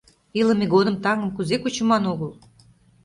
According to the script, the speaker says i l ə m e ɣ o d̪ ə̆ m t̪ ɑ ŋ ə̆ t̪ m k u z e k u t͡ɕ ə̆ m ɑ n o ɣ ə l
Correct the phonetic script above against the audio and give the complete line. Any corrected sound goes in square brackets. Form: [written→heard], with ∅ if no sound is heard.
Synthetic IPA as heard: i l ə m e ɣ o d̪ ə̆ m t̪ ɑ ŋ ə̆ [t̪→∅] m k u z e k u t͡ɕ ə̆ m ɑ n o ɣ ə l